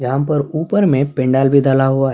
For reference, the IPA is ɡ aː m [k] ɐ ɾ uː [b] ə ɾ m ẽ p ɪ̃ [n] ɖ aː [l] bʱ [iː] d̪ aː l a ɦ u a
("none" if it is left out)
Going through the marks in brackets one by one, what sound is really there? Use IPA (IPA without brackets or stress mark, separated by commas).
p, p, ɳ, l, i